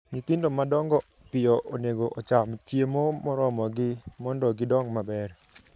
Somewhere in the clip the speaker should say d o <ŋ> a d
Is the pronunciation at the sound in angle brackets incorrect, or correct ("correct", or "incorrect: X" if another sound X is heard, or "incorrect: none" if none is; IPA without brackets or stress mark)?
incorrect: m